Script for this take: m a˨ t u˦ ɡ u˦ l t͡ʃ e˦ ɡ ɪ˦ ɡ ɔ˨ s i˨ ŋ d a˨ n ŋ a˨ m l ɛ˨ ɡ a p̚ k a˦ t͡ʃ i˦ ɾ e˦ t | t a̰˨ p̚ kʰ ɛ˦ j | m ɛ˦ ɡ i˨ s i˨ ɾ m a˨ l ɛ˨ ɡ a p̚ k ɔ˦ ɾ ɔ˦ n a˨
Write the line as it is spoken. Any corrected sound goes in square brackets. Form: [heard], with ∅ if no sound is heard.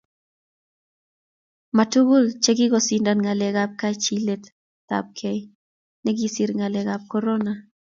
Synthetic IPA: m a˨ t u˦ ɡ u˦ l t͡ʃ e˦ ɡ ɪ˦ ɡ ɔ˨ s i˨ [n] d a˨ n ŋ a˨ [∅] l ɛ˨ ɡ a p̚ k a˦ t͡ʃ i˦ [l] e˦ t | t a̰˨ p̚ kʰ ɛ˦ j | [n] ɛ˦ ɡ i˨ s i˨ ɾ [ŋ] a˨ l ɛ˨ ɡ a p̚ k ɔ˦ ɾ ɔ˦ n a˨

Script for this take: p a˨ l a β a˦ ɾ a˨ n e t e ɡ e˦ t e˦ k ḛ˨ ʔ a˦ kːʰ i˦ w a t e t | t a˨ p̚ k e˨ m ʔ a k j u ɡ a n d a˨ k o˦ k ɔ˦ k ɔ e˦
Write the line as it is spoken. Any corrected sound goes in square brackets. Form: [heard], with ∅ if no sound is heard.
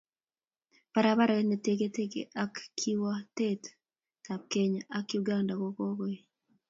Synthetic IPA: p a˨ [ɾ] a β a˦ ɾ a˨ n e t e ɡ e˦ t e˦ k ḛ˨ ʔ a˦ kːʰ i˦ w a t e t | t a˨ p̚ k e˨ [ɲ] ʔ a k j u ɡ a n d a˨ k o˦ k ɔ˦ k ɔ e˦

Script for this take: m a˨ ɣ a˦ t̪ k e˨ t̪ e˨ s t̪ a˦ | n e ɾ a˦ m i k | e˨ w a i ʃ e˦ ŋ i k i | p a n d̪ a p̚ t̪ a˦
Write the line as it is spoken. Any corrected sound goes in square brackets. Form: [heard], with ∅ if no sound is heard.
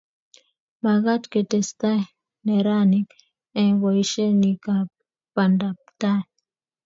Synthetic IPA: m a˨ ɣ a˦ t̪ k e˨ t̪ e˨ s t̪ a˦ | n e ɾ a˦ [n] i k | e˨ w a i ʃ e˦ [n] i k [a] | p a n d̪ a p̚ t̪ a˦

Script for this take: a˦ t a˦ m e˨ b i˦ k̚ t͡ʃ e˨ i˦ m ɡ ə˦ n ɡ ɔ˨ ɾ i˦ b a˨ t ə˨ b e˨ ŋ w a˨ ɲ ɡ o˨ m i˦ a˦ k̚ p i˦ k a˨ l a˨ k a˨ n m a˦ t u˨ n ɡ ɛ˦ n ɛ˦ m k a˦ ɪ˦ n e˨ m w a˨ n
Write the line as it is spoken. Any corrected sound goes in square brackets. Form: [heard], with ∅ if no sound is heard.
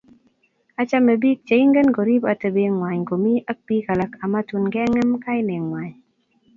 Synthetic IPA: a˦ [t͡ʃ] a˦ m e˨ b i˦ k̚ t͡ʃ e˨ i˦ [ŋ] ɡ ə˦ n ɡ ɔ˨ ɾ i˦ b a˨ t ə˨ b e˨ ŋ w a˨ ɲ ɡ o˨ m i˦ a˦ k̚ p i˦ k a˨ l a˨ k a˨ [∅] m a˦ t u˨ n ɡ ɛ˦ [ŋ] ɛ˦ m k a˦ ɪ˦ n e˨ [ŋ] w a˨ [ɲ]

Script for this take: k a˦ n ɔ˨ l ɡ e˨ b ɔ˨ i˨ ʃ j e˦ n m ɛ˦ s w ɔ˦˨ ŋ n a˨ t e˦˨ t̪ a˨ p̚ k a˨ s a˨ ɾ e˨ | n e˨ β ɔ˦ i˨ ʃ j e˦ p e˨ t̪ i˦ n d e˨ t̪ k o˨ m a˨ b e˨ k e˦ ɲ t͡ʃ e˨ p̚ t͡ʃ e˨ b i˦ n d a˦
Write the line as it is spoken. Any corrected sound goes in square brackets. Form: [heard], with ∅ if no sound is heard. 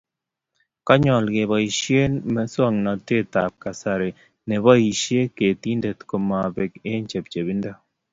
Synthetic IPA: k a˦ [ɲ] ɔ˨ l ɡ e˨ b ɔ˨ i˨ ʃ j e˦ n m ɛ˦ s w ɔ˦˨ ŋ n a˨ t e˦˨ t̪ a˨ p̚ k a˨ s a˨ ɾ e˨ | n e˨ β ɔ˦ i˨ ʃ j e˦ [k] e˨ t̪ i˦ n d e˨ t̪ k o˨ m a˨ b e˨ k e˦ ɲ t͡ʃ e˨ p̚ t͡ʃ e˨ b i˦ n d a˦

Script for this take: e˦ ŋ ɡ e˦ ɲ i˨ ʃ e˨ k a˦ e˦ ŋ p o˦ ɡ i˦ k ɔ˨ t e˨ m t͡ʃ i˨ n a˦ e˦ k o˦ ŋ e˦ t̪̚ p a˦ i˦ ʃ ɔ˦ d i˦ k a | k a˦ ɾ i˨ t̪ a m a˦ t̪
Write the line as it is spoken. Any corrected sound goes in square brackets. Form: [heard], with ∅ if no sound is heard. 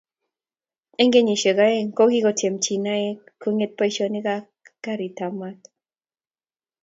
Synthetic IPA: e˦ ŋ ɡ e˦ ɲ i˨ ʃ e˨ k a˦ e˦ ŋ [k] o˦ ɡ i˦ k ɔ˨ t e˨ m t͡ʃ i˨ n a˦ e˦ k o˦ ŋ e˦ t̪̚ p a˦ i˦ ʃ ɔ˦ [n] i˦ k a | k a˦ ɾ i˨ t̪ a m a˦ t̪

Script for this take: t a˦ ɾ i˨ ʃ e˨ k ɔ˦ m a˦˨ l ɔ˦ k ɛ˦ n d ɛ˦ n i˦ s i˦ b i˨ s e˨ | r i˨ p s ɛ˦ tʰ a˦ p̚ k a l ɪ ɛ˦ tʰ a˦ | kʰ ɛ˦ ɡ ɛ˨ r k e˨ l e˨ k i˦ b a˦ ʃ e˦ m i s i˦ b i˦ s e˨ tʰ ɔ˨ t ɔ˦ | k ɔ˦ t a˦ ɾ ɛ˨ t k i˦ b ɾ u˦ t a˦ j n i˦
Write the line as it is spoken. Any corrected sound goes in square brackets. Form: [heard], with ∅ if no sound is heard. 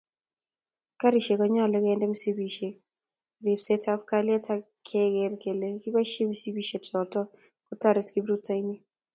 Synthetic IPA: [k] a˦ ɾ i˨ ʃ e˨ k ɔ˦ [ɲ] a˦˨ l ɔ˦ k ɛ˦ n d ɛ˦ [m] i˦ s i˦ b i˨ [ʃ] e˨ | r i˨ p s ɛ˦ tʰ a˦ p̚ k a l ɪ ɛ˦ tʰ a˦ | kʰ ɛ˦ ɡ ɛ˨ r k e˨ l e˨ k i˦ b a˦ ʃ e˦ m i s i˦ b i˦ [ʃ] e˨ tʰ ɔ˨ t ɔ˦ | k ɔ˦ t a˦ ɾ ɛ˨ t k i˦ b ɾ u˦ t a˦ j n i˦

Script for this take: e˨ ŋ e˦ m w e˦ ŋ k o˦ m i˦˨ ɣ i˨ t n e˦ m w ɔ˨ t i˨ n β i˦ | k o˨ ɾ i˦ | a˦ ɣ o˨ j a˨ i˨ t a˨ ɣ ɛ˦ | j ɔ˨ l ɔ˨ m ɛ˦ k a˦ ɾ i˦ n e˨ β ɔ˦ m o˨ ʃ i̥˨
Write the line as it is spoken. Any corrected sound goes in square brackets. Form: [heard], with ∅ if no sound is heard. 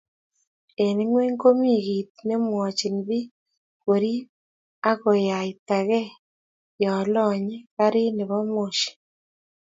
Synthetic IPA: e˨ [n] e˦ [ŋ] w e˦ ŋ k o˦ m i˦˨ ɣ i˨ t n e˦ m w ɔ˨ [t͡ʃ] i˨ n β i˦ | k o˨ ɾ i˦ | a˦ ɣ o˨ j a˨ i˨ t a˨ ɣ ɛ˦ | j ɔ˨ l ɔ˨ [ɲ] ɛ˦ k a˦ ɾ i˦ n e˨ β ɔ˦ m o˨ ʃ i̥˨

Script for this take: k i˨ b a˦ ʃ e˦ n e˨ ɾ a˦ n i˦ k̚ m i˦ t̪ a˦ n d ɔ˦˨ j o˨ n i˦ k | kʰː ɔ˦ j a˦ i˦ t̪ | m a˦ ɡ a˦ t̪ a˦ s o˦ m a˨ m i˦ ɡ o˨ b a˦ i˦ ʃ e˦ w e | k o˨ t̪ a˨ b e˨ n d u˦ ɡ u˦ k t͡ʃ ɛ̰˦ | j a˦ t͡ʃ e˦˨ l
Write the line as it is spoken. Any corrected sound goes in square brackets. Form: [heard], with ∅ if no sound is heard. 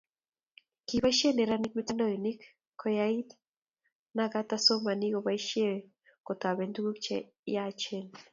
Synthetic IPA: k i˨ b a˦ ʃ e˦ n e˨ ɾ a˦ n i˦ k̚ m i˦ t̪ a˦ n d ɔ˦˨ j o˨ n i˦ k | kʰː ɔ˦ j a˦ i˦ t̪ | [n] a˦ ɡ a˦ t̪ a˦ s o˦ m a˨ [n] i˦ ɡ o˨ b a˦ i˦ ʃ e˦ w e | k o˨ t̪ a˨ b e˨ n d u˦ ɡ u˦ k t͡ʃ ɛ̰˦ | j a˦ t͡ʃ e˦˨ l

